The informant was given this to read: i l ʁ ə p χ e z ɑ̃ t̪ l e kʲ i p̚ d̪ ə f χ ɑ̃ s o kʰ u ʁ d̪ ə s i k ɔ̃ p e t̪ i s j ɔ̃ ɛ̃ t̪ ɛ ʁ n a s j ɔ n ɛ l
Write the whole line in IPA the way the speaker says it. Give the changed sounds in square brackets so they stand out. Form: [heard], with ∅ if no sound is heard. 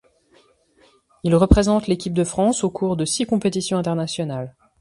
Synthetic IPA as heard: i l ʁ ə p χ e z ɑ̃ t̪ l e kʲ i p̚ d̪ ə f χ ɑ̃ s o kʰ u ʁ d̪ ə s i k ɔ̃ p e t̪ i s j ɔ̃ ɛ̃ t̪ ɛ ʁ n a s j ɔ n [a] l